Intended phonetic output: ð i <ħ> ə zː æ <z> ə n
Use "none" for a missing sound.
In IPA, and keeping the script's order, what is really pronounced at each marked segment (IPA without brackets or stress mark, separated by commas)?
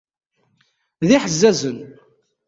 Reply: ħ, z